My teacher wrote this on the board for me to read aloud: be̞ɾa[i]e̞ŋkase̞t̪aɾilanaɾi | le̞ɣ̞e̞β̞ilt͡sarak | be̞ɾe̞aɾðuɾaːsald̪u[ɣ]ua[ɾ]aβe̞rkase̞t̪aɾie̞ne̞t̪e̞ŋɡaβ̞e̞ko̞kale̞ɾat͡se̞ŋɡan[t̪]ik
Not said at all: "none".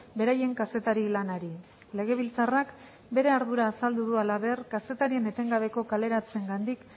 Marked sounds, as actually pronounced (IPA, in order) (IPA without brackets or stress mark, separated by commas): j, ð, l, d̪